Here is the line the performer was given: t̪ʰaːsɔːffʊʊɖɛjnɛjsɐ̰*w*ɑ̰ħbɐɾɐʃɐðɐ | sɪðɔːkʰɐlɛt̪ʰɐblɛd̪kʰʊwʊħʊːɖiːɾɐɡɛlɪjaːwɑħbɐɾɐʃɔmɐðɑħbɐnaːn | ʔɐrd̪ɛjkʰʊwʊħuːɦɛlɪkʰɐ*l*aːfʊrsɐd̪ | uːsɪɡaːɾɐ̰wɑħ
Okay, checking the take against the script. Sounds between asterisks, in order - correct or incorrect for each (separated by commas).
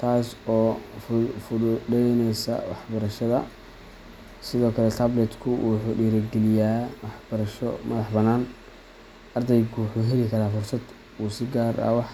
correct, incorrect